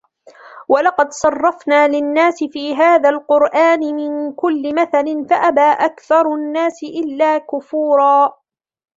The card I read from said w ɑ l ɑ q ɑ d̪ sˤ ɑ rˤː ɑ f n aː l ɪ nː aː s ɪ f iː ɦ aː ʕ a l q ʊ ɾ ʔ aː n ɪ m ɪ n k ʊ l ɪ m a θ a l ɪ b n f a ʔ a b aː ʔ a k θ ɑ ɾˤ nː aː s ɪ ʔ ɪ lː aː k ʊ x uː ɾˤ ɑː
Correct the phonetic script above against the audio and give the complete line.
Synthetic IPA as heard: w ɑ l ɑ q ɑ d̪ sˤ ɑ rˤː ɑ f n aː l ɪ nː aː s ɪ f iː ɦ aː ð a l q ʊ ɾ ʔ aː n ɪ m ɪ n k ʊ lː ɪ m a θ a l ɪ n f a ʔ a b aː ʔ a k θ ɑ ɾˤ nː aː s ɪ ʔ ɪ lː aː k ʊ f uː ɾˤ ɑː